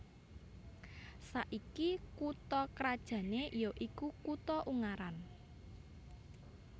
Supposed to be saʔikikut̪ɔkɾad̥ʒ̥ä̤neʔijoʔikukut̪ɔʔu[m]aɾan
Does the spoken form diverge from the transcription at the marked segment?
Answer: yes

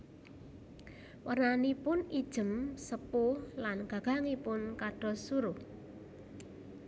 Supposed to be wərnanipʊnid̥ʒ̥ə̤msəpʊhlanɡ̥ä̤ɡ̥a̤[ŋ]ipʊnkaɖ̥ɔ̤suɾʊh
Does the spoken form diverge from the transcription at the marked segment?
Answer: no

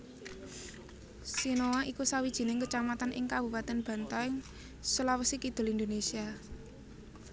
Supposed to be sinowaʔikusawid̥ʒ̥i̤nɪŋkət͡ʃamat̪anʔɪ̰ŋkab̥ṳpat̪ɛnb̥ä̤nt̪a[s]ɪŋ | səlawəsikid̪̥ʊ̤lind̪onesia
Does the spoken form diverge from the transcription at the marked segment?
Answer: yes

